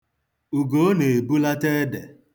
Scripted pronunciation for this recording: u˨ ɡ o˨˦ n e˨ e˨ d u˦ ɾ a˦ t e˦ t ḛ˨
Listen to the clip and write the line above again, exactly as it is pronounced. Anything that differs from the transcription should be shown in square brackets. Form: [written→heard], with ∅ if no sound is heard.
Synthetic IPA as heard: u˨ ɡ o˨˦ n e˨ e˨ [d→b] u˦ [ɾ→l] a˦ t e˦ [t→d] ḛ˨